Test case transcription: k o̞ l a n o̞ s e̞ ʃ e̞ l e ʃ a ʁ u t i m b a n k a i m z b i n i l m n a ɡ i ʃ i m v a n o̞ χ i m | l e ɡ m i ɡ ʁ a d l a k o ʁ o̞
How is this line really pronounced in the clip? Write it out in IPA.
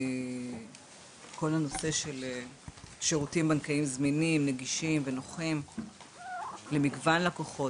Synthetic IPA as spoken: k o̞ l a n o̞ s e̞ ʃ e̞ l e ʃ e ʁ u t i m b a n k a i m z m i n i m n e ɡ i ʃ i m v e n o̞ χ i m | l e m i ɡ v a n l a k o χ o̞

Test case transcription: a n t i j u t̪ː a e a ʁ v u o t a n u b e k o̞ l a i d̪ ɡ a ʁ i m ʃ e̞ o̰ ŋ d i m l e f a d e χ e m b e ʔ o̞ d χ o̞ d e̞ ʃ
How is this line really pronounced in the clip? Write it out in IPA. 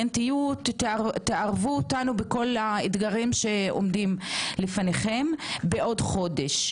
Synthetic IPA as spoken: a n t i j u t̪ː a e a ʁ v u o t a n u b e k o̞ l a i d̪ ɡ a ʁ i m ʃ e̞ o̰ m d i m l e f a n e χ e m b e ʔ o̞ d χ o̞ d e̞ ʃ

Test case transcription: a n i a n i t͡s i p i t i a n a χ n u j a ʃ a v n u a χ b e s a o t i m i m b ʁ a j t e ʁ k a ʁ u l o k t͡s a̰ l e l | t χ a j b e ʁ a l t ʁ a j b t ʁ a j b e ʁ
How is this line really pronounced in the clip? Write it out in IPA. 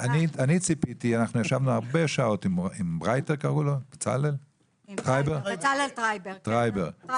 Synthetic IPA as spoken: a n i a n i t͡s i p i t i a n a χ n u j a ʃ a v n u a ʁ b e ʃ a o t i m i m b ʁ a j t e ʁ k a ʁ u l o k t͡s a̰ l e l | t ʁ a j b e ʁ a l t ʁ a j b t ʁ a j b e ʁ

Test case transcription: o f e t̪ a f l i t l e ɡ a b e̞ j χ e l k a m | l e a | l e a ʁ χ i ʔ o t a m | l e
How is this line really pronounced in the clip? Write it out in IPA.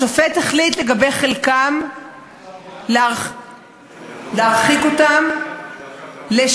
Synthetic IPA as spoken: o f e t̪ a χ l i t l e ɡ a b e̞ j χ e l k a m | l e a | l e a ʁ χ i k o t a m | l e

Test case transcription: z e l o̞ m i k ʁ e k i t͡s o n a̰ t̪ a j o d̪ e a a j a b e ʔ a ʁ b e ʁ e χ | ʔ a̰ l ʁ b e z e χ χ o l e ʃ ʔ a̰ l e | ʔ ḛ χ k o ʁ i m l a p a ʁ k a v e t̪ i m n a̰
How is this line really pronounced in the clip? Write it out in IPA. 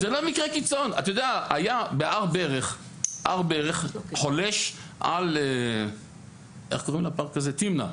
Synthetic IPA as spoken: z e l o̞ m i k ʁ e k i t͡s o n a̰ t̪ a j o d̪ e a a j a b e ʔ a ʁ b e ʁ e χ | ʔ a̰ ʁ b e ʁ e χ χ o l e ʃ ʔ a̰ l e | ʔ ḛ χ k o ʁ i m l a p a ʁ k a z e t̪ i m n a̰

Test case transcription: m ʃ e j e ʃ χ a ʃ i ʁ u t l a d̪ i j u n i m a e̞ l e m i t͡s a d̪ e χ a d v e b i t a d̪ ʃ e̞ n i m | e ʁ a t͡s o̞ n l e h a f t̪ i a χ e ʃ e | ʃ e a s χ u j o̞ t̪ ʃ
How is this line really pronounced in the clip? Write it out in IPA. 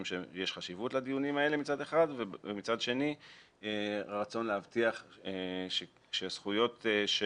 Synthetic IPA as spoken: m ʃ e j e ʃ χ a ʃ i v u t l a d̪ i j u n i m a e̞ l e m i t͡s a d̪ e χ a d v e m i t͡s a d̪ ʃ e̞ n i | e ʁ a t͡s o̞ n l e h a v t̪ i a χ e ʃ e | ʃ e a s χ u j o̞ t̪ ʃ

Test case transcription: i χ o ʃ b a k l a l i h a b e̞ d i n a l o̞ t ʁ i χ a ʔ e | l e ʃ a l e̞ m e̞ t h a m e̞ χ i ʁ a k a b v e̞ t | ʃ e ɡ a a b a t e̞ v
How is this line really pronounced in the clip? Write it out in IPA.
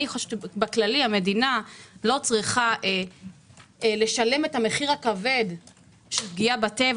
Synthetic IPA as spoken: i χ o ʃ b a k l a l i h a m e̞ d i n a l o̞ t͡s ʁ i χ a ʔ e | l e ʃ a l e̞ m e̞ t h a m e̞ χ i ʁ a k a v e̞ d | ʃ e ɡ i a b a t e̞ v

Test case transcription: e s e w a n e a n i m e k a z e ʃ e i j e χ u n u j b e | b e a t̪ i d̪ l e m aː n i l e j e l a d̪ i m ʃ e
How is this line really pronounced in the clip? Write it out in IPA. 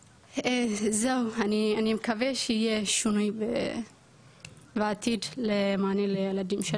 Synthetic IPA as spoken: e z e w a n i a n i m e k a v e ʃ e i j e ʃ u n u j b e | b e a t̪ i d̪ l e m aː n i l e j e l a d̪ i m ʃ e

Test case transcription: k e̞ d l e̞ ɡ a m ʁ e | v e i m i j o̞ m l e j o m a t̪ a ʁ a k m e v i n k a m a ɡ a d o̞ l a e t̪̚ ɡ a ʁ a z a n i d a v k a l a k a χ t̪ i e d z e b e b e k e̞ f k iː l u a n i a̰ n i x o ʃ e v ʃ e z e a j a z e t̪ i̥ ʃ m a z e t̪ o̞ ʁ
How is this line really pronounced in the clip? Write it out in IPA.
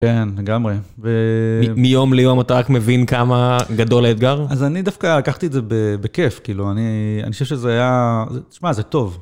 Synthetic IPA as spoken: k e̞ n l e̞ ɡ a m ʁ e | v e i m i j o̞ m l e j o m a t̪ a ʁ a k m e v i n k a m a ɡ a d o̞ l a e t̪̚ ɡ a ʁ a z a n i d a f k a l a k a χ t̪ i e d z e b e b e k e̞ f k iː l u a n i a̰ n i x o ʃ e v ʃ e z e a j a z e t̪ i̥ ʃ m a z e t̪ o̞ v

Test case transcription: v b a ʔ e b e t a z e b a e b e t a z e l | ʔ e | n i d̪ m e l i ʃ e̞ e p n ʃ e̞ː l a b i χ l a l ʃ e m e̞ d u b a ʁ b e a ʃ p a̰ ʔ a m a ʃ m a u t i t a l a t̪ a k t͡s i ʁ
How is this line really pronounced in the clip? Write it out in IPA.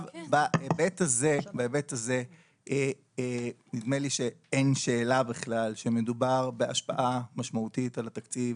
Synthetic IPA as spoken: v b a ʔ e b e t a z e b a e b e t a z e | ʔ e | n i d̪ m e l i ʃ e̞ e n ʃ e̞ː l a b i χ l a l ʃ e m e̞ d u b a ʁ b e a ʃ p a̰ ʔ a m a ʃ m a u t i t a l a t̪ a k t͡s i v

